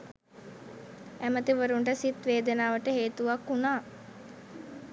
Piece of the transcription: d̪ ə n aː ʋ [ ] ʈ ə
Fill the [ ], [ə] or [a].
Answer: ə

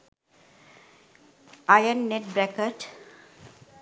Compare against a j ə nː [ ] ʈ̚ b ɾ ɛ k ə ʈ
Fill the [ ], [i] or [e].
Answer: e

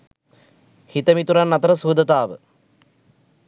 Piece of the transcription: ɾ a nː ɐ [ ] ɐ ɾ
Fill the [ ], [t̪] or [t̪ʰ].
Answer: t̪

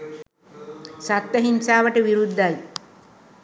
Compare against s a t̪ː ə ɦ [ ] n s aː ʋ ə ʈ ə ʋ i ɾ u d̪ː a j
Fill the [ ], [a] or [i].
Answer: i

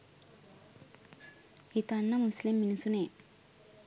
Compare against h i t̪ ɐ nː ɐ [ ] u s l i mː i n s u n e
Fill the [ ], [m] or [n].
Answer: m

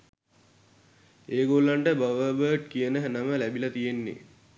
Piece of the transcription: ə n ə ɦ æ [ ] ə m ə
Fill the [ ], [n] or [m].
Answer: n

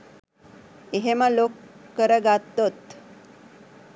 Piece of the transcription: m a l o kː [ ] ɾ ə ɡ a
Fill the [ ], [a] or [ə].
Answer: ə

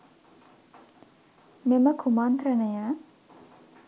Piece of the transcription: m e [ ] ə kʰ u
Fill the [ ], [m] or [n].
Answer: m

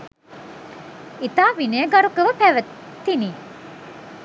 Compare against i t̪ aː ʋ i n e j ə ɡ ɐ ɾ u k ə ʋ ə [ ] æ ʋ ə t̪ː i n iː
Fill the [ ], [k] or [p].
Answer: p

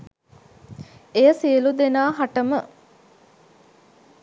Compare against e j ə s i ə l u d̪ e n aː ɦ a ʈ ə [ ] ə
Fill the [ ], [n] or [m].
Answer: m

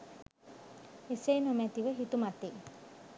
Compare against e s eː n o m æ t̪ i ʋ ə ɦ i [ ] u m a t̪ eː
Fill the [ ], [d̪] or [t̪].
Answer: t̪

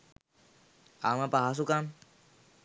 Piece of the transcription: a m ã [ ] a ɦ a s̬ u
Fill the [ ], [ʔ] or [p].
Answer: p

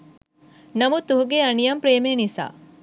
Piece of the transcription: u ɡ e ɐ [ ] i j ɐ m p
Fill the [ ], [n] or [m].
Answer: n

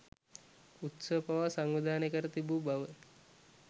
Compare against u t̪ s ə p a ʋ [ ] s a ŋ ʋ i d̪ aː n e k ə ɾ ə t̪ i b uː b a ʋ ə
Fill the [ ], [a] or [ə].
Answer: a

